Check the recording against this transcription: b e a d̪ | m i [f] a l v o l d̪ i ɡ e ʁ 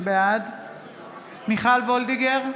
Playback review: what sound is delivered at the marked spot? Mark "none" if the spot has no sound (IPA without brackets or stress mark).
χ